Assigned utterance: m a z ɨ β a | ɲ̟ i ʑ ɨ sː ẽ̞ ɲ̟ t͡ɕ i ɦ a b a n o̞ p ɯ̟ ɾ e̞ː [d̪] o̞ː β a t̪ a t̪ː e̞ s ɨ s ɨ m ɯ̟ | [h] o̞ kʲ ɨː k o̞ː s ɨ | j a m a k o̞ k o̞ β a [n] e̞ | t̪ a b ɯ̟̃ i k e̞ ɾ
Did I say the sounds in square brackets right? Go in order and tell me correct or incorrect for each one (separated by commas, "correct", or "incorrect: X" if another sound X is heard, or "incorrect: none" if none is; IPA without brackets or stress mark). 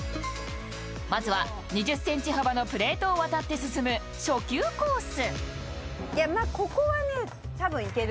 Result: incorrect: t̪, incorrect: ɕ, correct